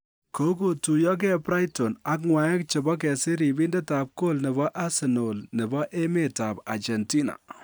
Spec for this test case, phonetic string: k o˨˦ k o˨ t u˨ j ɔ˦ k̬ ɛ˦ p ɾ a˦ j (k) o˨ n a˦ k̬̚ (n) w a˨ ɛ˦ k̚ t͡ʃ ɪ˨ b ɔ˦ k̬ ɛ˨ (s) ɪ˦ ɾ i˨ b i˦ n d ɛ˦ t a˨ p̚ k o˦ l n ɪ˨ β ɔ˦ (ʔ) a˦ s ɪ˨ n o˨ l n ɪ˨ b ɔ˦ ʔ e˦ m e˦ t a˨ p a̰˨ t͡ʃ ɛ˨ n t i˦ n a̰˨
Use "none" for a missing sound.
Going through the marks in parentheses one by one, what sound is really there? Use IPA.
t, ŋ, s, ʔ

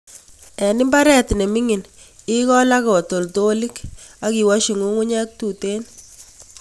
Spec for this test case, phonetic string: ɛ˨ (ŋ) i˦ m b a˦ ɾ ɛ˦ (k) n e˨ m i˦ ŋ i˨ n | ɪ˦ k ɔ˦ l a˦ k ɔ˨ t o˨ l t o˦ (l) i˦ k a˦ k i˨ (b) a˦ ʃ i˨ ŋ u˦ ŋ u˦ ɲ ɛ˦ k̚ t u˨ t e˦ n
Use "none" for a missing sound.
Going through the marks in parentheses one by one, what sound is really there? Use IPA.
n, t, l, w

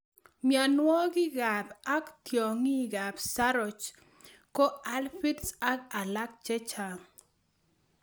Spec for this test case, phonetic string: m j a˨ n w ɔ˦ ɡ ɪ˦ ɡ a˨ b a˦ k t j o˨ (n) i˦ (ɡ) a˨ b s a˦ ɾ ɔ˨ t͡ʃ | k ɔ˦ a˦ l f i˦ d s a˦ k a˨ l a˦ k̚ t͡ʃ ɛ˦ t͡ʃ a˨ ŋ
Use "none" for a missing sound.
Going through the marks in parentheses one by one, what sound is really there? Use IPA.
ŋ, ɡ

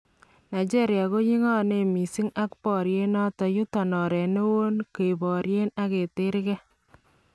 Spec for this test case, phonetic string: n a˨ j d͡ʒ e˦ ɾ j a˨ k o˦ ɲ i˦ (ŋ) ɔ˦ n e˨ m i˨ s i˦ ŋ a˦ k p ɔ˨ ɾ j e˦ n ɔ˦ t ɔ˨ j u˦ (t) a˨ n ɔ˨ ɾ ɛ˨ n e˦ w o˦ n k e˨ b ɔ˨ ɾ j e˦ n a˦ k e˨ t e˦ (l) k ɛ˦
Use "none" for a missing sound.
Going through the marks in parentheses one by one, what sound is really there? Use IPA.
ŋ, t, ɾ

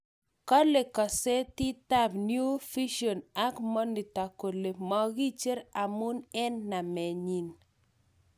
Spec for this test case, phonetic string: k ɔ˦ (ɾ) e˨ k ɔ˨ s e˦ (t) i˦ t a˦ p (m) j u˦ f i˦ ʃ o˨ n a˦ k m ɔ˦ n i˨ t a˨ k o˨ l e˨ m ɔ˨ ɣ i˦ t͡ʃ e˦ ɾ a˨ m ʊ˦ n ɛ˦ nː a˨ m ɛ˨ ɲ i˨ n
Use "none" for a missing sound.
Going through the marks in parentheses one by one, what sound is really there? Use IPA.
l, t, n

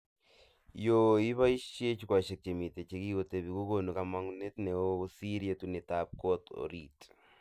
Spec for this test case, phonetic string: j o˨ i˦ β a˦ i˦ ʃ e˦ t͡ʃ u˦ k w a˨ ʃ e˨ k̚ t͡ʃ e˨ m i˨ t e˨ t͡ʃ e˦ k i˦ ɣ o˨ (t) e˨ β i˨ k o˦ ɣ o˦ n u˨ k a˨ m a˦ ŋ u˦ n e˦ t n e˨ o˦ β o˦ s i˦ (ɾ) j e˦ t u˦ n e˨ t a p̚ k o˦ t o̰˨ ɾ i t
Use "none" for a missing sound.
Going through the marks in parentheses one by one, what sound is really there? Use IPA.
t, ɾ

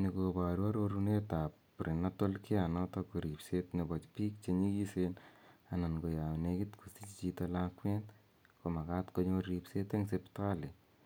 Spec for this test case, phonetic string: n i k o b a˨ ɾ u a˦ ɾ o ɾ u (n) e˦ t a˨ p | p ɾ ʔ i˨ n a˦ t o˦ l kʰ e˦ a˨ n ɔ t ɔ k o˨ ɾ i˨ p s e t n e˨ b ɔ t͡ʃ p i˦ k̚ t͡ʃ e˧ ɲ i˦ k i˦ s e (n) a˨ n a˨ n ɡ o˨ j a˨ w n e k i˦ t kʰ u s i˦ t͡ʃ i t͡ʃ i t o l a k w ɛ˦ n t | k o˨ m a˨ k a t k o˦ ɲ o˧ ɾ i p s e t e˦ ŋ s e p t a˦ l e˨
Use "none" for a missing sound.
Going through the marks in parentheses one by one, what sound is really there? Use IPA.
n, n

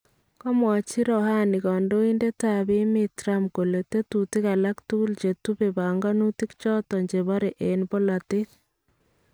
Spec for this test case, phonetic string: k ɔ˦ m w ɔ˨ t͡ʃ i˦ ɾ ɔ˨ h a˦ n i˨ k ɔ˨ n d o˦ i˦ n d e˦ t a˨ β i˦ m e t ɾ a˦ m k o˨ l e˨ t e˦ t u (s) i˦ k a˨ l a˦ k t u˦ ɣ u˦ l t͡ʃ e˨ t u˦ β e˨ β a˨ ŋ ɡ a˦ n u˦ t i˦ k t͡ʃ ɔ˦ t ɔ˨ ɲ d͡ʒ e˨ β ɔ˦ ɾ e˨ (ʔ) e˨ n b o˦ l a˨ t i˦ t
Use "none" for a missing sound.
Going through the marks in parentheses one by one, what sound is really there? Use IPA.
t, ʔ

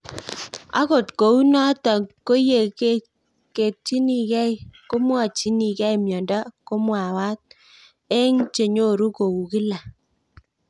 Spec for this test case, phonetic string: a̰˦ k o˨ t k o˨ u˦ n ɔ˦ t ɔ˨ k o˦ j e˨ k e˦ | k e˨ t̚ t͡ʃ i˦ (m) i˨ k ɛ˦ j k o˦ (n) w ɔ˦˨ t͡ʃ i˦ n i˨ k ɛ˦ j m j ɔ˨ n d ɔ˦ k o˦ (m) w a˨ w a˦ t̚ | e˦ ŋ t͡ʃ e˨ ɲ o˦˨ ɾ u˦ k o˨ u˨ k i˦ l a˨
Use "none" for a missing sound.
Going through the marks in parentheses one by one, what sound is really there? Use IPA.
n, m, m

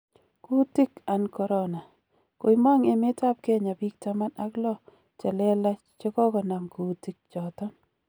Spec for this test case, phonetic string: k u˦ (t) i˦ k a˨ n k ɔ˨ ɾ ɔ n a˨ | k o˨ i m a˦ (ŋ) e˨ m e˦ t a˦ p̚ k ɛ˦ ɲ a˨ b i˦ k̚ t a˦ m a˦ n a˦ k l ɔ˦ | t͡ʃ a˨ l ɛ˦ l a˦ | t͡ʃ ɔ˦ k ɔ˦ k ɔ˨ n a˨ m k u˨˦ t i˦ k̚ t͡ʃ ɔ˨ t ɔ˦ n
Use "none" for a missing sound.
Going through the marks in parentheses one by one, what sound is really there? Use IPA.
t, ŋ

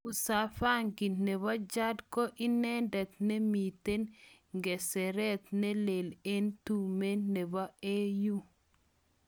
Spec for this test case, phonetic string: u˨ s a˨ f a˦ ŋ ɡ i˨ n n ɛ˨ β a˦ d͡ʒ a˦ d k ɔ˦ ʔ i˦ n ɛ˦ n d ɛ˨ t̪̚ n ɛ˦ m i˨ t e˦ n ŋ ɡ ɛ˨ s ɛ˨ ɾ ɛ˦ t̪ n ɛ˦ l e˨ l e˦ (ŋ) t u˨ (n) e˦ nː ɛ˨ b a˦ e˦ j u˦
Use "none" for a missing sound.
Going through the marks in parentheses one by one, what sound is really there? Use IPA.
n, m

